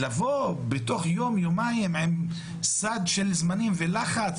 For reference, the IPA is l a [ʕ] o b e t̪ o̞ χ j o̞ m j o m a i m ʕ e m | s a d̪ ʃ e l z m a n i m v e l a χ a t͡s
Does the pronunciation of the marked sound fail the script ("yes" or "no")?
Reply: yes